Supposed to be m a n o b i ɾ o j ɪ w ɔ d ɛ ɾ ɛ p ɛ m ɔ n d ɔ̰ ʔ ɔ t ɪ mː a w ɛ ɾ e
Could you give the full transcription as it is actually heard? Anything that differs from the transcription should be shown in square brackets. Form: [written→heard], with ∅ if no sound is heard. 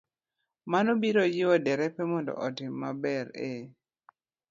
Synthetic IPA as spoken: m a n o b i ɾ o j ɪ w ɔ d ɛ ɾ ɛ p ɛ m ɔ n d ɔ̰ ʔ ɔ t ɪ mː a [w→b] ɛ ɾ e